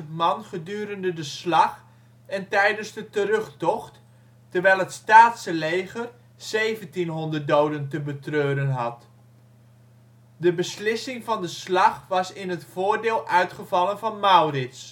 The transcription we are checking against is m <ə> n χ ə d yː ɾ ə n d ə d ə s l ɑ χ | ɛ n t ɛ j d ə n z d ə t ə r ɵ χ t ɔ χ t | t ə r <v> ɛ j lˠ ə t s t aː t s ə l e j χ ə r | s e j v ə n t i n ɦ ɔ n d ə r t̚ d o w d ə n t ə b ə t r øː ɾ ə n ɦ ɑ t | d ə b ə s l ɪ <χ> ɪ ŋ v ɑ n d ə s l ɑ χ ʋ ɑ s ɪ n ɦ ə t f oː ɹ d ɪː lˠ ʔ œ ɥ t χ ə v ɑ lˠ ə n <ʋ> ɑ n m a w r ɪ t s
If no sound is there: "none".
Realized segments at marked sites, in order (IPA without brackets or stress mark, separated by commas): ɑ, ʋ, s, v